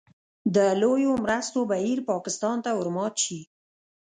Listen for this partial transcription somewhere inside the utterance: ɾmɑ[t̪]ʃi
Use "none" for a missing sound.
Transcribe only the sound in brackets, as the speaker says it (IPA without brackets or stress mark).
t̪